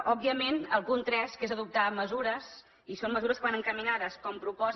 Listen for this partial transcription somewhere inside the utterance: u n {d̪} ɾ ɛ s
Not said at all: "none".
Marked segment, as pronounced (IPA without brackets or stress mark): t̪